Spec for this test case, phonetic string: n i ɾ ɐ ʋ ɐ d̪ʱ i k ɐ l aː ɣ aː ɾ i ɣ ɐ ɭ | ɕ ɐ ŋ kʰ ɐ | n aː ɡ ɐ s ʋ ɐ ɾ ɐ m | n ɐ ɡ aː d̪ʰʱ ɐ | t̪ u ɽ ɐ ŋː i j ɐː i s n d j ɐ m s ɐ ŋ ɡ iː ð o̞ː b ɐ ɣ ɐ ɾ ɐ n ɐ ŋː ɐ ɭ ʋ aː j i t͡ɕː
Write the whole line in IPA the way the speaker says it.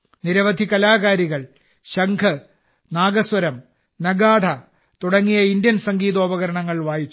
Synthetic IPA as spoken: n i ɾ ɐ ʋ ɐ d̪ʱ i k ɐ l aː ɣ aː ɾ i ɣ ɐ ɭ | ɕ ɐ ŋ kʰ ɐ | n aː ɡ ɐ s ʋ ɐ ɾ ɐ m | n ɐ ɡ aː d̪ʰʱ ɐ | t̪ u ɽ ɐ ŋː i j ɐ i n d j ɐ n s ɐ ŋ ɡ iː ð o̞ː b ɐ ɣ ɐ ɾ ɐ ɳ ɐ ŋː ɐ ɭ ʋ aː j i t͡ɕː